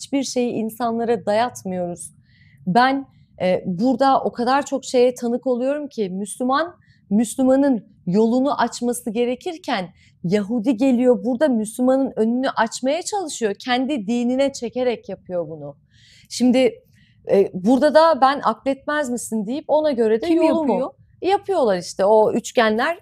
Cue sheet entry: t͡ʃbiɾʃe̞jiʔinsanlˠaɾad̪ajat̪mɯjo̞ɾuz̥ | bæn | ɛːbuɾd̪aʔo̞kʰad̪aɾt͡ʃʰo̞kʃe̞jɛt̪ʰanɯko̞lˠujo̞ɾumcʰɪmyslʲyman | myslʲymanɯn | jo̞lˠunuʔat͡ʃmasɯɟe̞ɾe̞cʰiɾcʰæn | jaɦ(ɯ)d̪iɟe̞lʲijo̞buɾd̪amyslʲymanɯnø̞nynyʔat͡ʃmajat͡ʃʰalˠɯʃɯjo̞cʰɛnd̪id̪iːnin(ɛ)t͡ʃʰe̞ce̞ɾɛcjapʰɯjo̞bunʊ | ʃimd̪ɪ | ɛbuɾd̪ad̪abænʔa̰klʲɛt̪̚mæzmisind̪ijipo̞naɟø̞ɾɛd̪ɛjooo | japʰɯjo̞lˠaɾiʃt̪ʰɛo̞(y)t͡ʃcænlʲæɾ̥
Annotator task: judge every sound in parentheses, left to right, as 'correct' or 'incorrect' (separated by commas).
incorrect, correct, correct